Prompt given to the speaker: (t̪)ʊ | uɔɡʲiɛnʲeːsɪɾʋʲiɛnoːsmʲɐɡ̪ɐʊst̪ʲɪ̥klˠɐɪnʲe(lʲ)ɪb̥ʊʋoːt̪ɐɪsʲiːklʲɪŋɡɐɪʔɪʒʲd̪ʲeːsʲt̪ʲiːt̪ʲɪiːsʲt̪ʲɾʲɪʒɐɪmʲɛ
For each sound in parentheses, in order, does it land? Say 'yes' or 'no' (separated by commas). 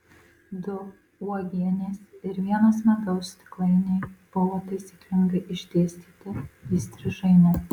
no, no